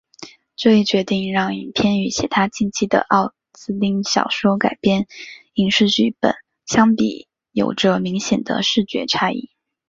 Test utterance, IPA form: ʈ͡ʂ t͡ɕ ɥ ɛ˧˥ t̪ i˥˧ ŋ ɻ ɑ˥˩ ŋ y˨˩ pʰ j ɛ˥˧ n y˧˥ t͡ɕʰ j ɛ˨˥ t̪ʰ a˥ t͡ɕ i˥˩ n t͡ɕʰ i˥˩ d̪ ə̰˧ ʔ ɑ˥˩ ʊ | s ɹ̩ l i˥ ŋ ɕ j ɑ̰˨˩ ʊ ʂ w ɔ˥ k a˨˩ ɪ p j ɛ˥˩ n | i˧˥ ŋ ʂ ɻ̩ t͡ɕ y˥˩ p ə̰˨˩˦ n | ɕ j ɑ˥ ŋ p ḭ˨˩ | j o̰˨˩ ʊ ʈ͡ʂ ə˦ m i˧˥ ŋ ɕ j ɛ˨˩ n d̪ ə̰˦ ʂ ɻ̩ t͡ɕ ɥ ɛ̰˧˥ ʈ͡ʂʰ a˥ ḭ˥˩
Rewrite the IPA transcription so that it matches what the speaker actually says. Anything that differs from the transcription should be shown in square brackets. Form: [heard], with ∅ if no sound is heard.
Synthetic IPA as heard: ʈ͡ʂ t͡ɕ ɥ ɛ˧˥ t̪ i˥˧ ŋ ɻ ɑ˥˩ ŋ [i˨˩] pʰ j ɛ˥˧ n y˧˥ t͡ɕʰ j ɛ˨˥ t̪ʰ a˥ t͡ɕ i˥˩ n t͡ɕʰ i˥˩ d̪ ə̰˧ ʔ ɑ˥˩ ʊ | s ɹ̩ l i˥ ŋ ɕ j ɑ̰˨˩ ʊ ʂ w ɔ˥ k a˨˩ ɪ p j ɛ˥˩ n | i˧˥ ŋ ʂ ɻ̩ t͡ɕ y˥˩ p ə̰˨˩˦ n | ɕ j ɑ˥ ŋ p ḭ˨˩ | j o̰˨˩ ʊ ʈ͡ʂ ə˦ m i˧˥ ŋ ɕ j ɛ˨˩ n d̪ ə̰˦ ʂ ɻ̩ t͡ɕ ɥ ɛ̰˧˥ ʈ͡ʂʰ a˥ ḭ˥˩

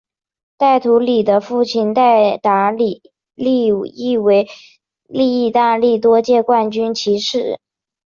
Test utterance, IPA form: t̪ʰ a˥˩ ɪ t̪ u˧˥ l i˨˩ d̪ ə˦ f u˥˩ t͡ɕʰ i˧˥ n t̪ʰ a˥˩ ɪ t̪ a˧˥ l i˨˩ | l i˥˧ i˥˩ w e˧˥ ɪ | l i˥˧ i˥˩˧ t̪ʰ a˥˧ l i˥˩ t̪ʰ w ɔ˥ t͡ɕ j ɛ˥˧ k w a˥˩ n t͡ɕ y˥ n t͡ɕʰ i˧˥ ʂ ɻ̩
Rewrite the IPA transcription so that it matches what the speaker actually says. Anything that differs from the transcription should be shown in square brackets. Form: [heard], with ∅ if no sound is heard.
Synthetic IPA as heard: [t̪] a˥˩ ɪ [t̪ʰ] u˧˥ l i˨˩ d̪ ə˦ f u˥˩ t͡ɕʰ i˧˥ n [t̪] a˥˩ ɪ t̪ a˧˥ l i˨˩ | l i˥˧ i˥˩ w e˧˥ ɪ | l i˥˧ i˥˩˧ [t̪] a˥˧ l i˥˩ [t̪] w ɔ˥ t͡ɕ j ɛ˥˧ k w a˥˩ n t͡ɕ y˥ n t͡ɕʰ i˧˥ ʂ ɻ̩

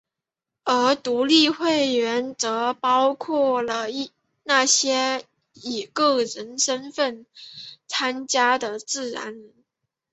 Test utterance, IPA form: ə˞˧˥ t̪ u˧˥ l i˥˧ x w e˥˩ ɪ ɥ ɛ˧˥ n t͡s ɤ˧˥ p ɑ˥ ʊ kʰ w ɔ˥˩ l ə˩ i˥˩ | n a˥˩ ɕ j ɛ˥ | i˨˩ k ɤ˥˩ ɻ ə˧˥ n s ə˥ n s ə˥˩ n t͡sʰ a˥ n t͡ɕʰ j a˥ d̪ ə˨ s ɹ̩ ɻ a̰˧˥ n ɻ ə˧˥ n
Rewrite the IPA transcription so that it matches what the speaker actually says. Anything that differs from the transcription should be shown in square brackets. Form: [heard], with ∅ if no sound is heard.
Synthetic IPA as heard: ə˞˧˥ t̪ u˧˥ l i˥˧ x w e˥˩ ɪ ɥ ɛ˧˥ n t͡s ɤ˧˥ p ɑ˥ ʊ kʰ w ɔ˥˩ l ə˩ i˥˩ | n a˥˩ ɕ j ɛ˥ | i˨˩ k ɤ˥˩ ɻ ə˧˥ n [ʂ] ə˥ n [f] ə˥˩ n t͡sʰ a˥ n [t͡ɕ] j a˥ d̪ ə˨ [t͡s] ɹ̩ ɻ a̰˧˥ n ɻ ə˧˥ n

